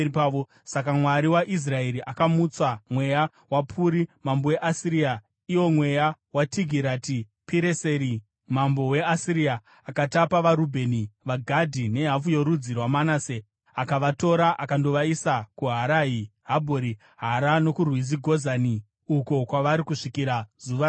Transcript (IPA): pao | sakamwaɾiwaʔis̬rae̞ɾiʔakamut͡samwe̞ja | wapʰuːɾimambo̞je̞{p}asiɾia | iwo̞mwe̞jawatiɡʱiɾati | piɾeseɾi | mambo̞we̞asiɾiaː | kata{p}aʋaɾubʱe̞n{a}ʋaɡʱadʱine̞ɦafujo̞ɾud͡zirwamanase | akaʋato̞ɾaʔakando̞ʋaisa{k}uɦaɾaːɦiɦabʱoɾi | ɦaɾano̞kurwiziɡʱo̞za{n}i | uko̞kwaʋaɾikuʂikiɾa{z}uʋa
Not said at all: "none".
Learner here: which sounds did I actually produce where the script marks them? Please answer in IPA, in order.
ʔ, p, i, k, n, z

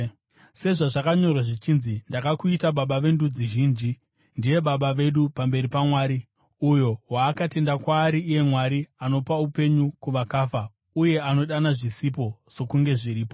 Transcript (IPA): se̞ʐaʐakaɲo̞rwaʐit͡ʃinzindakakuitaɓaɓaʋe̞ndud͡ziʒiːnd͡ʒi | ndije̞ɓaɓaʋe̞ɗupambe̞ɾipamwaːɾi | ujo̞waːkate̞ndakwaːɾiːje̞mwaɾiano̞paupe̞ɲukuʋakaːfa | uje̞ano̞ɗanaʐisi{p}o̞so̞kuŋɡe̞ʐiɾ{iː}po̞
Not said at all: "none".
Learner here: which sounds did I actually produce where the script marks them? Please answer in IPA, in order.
p, iː

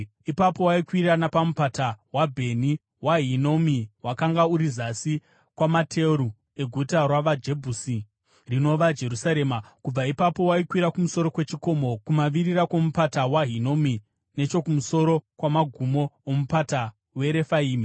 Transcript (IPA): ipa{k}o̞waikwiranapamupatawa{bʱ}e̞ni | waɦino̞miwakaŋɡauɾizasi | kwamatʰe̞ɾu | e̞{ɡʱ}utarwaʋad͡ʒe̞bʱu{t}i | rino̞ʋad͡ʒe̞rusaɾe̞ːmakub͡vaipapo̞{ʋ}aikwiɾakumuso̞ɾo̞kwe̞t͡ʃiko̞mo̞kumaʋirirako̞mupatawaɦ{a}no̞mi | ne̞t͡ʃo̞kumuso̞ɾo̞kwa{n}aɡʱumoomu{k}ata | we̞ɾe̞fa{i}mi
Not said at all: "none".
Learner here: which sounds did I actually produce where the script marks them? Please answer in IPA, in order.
p, bʱ, ɡʱ, s, w, i, m, p, iː

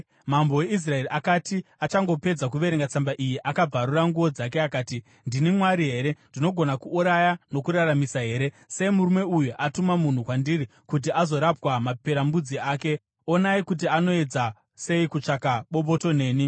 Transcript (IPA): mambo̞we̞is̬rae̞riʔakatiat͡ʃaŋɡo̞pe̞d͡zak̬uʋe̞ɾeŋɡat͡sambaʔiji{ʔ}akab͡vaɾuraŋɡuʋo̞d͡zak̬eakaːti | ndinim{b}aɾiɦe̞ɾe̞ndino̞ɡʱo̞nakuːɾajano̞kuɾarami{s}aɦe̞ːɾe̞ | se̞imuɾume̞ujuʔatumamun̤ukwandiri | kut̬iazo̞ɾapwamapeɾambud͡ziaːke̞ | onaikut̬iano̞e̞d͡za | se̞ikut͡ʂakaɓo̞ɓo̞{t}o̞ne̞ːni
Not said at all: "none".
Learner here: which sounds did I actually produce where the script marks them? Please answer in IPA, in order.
ʔ, w, s, t

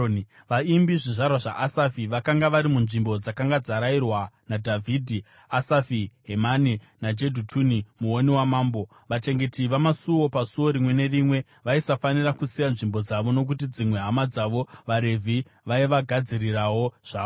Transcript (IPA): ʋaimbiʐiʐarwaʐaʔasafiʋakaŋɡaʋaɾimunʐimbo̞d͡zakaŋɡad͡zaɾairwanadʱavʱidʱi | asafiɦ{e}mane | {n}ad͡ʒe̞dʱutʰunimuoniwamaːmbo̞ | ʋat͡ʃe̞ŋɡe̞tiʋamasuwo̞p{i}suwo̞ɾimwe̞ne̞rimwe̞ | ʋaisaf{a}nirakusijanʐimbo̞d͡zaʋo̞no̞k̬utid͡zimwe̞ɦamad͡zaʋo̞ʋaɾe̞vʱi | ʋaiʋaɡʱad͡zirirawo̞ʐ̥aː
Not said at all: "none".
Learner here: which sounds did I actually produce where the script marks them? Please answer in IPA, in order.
e, n, a, a

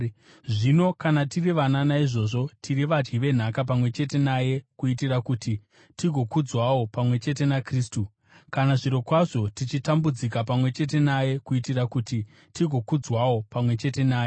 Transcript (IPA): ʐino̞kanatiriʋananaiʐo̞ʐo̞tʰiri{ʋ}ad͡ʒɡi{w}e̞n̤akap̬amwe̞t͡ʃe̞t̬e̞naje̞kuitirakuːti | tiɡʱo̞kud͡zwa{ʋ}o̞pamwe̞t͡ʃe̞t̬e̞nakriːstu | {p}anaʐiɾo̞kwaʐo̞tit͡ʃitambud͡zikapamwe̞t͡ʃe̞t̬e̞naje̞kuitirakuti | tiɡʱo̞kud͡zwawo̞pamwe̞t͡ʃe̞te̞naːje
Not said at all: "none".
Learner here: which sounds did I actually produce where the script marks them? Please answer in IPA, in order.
ʋ, ʋ, w, k

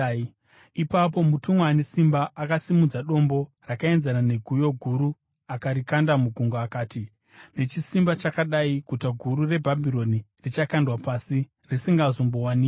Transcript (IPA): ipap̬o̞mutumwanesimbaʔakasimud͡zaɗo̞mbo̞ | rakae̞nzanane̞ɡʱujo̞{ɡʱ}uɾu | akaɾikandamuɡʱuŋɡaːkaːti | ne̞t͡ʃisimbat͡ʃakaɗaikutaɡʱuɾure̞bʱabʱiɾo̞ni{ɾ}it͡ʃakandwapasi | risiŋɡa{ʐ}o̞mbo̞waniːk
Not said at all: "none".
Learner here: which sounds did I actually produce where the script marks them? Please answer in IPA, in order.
ɡʱ, r, z

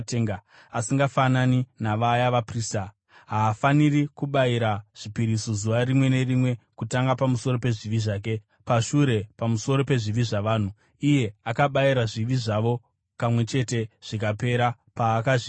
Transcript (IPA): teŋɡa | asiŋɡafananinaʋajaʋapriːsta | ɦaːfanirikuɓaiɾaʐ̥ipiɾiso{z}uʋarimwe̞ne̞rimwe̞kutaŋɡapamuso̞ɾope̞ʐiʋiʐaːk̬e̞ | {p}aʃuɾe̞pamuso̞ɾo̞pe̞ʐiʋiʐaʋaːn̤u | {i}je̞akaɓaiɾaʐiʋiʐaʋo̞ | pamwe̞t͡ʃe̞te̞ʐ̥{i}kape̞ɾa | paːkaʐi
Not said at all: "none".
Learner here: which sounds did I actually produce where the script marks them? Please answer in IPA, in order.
z, p, i, i

